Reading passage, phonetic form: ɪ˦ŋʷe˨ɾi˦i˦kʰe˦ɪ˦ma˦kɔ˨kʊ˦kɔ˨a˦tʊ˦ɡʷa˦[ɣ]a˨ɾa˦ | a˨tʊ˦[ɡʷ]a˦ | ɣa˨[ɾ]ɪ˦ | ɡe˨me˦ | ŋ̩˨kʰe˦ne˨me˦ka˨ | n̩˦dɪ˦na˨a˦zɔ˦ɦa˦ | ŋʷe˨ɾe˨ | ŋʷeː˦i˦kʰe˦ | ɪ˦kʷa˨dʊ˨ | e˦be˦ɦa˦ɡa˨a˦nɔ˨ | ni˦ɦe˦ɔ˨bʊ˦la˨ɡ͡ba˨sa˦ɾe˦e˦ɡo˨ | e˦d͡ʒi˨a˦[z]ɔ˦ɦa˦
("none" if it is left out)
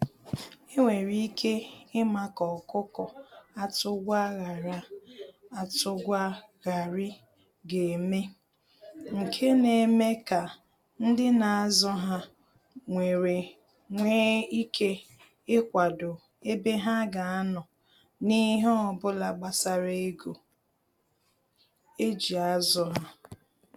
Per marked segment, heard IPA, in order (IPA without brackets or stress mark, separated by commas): ɣ, ɡʷ, ɾ, z